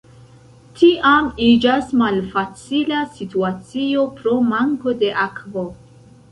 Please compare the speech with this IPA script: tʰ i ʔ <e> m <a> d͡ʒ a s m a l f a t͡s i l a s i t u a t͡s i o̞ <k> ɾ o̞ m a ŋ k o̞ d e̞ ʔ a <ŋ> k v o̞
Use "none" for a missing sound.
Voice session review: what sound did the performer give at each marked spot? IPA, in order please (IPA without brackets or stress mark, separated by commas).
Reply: a, i, p, none